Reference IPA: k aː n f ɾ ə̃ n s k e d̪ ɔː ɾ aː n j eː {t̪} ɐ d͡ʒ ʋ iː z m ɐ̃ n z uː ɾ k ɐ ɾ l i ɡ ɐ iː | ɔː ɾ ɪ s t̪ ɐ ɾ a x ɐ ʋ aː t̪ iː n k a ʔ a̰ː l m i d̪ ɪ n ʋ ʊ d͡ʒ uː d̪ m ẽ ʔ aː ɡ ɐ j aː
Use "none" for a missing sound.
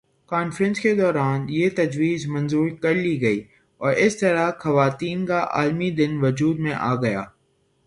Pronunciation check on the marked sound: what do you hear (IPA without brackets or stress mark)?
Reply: t̪